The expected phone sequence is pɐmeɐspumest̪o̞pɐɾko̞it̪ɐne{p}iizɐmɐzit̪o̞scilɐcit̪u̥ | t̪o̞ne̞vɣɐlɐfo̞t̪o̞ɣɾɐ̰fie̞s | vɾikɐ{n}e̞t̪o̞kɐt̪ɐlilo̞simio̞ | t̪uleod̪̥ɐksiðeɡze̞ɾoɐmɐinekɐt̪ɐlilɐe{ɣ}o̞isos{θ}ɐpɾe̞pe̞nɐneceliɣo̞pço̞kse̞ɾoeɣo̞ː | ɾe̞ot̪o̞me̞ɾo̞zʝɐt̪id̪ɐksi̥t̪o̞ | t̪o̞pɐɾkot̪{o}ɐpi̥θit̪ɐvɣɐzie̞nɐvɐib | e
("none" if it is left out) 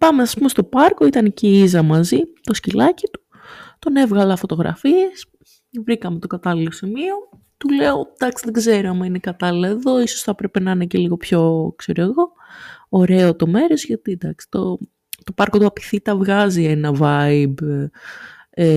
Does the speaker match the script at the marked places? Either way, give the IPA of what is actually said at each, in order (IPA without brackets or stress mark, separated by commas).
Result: c, m, ð, θ, u